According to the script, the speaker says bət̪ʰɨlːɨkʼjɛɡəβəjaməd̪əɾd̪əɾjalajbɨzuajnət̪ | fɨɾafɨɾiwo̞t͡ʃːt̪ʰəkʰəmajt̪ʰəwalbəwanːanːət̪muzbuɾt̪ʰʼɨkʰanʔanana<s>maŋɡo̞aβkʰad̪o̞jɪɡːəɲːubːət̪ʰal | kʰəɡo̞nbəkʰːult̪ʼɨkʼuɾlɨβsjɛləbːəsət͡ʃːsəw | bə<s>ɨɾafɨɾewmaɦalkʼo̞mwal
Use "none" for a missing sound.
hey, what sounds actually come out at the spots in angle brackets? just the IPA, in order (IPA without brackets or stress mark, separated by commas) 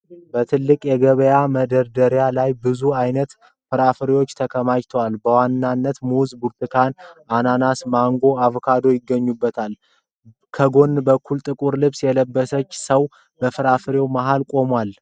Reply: s, f